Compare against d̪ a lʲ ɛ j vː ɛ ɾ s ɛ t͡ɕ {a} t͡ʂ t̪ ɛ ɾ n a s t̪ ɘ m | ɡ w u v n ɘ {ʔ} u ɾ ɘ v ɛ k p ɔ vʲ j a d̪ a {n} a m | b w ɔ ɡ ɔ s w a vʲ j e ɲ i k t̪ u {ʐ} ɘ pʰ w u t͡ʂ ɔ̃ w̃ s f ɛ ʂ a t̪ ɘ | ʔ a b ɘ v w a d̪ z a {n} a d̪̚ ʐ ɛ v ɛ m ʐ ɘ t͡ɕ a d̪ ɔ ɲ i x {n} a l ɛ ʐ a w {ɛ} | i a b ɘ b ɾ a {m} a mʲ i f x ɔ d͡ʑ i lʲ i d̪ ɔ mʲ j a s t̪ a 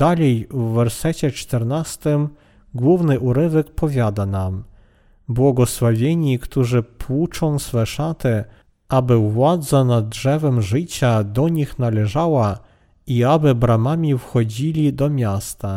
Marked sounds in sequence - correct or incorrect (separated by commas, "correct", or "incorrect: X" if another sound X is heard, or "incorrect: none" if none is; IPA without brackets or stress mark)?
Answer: incorrect: ɛ, correct, correct, correct, correct, correct, incorrect: a, correct